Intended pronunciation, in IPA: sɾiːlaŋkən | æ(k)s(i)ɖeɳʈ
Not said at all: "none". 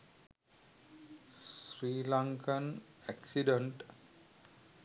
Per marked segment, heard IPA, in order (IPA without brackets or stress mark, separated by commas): k, i